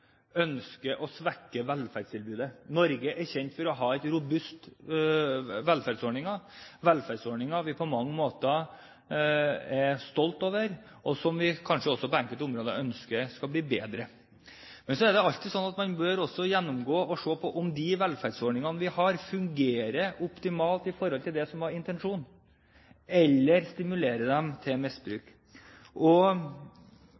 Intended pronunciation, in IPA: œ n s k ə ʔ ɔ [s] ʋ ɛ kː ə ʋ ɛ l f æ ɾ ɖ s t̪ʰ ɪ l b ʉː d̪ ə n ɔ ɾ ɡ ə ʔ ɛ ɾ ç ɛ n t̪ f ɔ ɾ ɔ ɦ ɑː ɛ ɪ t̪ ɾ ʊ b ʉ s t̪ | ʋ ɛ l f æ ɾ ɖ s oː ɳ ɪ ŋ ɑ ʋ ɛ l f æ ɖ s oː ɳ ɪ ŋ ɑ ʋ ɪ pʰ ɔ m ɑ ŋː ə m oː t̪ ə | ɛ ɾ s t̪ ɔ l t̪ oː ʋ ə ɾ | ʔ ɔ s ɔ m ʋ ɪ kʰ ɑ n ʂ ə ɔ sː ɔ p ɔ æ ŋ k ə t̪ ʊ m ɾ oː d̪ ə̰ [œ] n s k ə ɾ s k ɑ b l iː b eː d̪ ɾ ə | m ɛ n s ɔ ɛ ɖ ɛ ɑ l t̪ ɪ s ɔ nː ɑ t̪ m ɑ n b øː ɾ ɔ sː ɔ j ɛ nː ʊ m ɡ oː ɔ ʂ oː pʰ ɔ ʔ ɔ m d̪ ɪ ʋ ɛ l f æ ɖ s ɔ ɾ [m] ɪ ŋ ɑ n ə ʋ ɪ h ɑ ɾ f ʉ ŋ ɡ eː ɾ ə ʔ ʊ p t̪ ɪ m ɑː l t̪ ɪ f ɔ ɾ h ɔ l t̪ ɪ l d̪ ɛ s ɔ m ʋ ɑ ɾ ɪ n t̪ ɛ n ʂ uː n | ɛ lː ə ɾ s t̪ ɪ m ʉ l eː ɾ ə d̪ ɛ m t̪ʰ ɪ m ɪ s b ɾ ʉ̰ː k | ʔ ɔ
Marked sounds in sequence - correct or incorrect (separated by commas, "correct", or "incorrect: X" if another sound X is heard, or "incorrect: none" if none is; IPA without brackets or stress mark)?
correct, correct, incorrect: ɳ